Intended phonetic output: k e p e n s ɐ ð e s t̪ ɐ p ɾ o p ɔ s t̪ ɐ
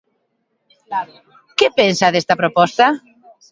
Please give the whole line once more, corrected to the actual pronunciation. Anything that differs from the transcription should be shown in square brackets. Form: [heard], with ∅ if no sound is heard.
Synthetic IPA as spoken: k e p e n s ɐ ð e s t̪ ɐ p ɾ o p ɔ s t̪ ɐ